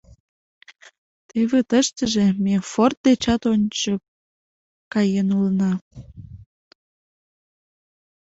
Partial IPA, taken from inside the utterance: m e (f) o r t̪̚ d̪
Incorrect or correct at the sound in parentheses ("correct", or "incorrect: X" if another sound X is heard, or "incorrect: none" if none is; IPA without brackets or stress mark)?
correct